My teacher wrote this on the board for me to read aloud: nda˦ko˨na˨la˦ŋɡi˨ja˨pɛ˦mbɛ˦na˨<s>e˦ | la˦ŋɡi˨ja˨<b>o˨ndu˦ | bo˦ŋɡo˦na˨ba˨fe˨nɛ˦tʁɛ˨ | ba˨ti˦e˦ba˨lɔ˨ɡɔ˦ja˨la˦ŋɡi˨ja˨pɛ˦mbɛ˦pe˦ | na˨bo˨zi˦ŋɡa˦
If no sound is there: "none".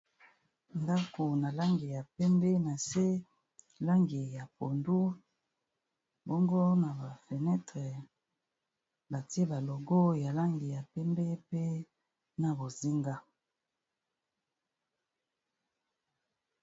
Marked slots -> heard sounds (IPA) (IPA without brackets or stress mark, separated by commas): s, p